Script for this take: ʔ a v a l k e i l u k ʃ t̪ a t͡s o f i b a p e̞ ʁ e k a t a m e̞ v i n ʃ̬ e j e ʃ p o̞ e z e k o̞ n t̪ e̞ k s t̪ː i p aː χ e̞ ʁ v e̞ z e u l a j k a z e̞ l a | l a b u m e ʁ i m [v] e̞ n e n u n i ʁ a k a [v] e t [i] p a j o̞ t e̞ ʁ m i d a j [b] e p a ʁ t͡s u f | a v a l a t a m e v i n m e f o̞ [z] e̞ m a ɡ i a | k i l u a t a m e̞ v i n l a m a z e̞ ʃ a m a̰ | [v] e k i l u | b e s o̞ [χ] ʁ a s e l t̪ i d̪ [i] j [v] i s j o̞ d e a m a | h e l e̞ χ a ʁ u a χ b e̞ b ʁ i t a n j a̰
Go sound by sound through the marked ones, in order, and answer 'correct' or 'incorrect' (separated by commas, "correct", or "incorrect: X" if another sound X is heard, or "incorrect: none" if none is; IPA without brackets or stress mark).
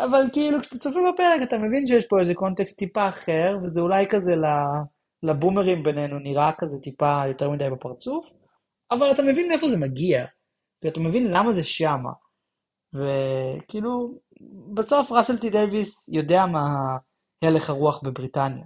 incorrect: b, incorrect: z, correct, correct, correct, correct, incorrect: f, incorrect: e, correct